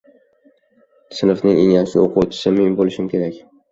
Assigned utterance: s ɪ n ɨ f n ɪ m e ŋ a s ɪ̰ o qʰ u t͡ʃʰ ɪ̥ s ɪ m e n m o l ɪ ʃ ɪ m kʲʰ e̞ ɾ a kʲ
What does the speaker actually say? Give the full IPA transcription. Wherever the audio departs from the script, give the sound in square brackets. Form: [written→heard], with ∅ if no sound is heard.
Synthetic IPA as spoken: s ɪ n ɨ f n ɪ [m→ŋ] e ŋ a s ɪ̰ o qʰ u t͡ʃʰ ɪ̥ s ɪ m e n [m→b] o l ɪ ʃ ɪ m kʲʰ e̞ ɾ a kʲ